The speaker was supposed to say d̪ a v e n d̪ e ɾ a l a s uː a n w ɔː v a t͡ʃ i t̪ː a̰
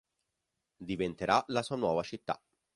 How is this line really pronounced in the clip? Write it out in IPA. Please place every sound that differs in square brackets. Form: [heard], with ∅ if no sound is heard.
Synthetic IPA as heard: d̪ [i] v e n [t̪] e ɾ a l a s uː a n w ɔː v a t͡ʃ i t̪ː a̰